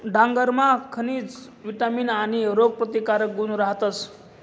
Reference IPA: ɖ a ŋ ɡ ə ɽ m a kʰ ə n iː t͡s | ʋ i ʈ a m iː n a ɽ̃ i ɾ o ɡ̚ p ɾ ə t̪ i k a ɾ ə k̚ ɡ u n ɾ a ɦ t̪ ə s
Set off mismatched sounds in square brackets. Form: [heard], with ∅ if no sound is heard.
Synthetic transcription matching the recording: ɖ a ŋ ɡ ə [ɾ] m a kʰ ə n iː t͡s | ʋ i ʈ a m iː n a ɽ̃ i ɾ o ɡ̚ p ɾ ə t̪ i k a ɾ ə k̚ ɡ u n ɾ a ɦ t̪ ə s